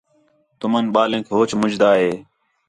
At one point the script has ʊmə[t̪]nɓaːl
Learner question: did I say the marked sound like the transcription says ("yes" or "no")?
no